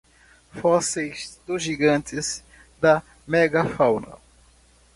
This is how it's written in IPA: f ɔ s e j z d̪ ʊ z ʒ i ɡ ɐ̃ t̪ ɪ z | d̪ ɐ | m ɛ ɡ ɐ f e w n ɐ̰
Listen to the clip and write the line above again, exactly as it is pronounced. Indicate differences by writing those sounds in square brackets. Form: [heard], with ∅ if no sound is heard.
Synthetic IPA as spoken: f ɔ s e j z d̪ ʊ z ʒ i ɡ ɐ̃ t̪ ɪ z | d̪ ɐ | m ɛ ɡ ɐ f [a] w n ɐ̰